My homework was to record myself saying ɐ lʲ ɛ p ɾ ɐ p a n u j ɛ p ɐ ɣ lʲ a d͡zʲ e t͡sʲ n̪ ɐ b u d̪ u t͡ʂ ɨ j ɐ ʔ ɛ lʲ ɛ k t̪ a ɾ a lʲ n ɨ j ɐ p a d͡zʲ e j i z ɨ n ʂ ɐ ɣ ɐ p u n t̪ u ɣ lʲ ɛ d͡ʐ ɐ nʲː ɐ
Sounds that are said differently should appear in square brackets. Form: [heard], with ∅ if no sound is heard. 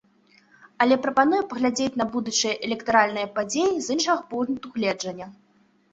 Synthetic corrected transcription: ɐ lʲ ɛ p ɾ ɐ p a n u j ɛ p ɐ ɣ lʲ a d͡zʲ e t͡sʲ n̪ ɐ b u d̪ u t͡ʂ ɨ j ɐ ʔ ɛ lʲ ɛ k t̪ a ɾ a lʲ n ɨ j ɐ p a d͡zʲ e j i z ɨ n ʂ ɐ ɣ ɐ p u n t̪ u ɣ lʲ ɛ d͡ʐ ɐ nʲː ɐ